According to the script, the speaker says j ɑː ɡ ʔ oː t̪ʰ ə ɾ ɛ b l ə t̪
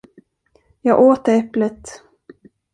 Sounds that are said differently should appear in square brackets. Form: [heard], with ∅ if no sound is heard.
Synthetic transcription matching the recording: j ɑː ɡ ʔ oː [t̪] ə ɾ ɛ [p] l ə t̪